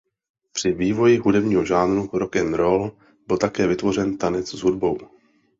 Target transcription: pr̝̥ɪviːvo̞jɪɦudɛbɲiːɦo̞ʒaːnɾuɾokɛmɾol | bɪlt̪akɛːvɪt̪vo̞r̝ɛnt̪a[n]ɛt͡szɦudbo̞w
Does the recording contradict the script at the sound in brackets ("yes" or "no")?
no